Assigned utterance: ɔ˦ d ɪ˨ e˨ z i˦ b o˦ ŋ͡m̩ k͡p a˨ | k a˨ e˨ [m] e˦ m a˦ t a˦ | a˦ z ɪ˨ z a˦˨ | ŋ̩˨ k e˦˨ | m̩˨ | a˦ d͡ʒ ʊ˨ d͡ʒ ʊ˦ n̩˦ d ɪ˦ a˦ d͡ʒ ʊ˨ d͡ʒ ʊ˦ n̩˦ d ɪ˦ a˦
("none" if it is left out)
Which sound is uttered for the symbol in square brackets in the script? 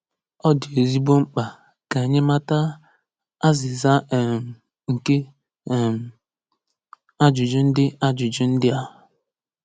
ɲ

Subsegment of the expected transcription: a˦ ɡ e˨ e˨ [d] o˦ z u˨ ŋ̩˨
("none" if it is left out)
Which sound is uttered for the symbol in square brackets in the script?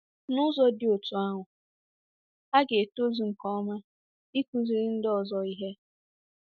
t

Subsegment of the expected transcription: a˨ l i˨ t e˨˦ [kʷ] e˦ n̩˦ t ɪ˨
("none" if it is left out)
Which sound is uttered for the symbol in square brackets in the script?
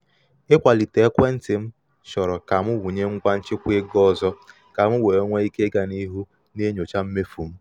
kʷ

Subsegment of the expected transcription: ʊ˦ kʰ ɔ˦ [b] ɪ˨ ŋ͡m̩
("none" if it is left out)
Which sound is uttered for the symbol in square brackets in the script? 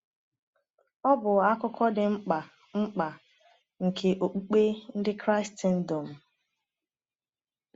d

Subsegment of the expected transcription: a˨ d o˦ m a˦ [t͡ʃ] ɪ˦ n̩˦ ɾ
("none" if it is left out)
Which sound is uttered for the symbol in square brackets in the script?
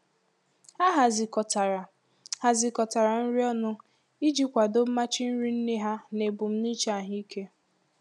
t͡ʃ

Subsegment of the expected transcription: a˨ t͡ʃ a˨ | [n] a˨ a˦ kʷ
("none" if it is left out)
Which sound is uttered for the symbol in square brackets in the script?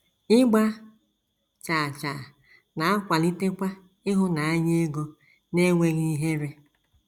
n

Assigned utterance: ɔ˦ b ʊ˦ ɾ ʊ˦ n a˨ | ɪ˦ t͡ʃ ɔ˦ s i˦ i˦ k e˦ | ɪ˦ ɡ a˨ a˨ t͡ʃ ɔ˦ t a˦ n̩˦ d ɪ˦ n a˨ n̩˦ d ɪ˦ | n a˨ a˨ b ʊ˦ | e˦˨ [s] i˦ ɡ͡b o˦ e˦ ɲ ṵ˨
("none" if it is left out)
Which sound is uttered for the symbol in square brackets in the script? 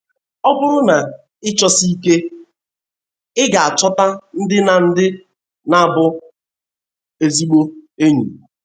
z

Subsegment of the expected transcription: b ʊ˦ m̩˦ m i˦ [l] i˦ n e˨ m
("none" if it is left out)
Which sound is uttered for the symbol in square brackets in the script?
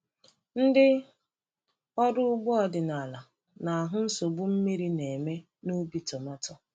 ɾ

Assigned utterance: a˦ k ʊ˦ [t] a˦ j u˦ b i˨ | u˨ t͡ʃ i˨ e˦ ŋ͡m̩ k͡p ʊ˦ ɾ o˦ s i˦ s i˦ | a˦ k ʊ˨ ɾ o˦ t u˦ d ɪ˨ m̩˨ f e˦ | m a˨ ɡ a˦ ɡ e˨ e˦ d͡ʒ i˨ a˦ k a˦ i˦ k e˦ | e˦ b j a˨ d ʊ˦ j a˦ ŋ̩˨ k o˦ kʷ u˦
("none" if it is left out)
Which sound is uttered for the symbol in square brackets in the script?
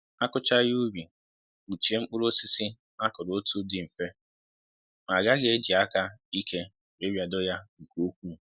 t͡ʃ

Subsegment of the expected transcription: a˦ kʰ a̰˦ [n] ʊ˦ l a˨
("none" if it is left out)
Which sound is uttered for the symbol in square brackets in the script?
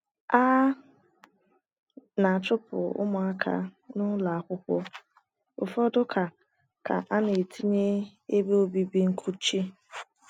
n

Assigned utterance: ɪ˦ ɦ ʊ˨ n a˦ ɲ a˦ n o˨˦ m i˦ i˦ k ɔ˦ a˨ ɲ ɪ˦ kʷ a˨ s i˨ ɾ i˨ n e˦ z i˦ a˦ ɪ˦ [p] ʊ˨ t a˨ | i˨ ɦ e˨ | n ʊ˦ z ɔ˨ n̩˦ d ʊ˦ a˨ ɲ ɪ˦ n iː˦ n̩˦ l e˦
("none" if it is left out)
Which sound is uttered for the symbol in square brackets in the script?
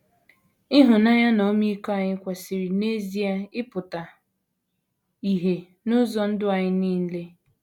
p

